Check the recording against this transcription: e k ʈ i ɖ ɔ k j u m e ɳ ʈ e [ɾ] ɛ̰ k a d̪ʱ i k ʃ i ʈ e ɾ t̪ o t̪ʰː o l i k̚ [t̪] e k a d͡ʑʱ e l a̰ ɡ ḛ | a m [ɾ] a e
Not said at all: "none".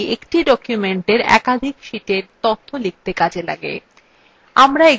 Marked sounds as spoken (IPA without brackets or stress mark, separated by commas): ɾ, t̪, ɾ